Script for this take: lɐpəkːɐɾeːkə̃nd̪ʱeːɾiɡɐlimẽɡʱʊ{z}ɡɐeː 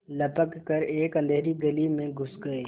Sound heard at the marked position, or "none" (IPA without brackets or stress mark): s